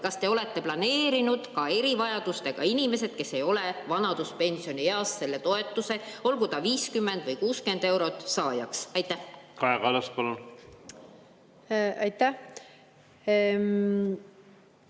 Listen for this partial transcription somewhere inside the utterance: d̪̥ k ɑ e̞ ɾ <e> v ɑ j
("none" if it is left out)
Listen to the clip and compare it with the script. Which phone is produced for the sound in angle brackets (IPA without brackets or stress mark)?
i